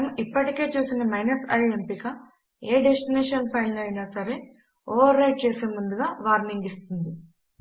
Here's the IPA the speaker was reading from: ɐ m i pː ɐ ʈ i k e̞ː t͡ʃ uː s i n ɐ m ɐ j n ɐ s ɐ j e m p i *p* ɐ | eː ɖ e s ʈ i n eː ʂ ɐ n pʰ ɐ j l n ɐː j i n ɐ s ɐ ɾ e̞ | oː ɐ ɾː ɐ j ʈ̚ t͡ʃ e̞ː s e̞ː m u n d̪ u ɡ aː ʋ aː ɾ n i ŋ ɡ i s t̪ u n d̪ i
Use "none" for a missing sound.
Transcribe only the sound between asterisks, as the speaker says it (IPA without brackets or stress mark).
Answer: k